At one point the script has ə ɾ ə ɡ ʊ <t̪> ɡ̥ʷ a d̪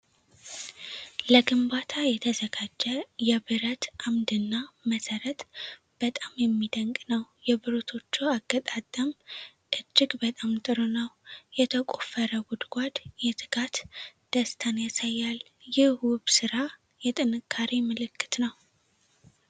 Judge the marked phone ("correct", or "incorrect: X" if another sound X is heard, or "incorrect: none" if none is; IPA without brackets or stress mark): incorrect: d̪